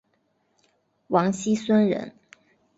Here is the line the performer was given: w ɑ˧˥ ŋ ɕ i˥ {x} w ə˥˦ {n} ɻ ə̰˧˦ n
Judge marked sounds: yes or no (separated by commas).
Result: no, yes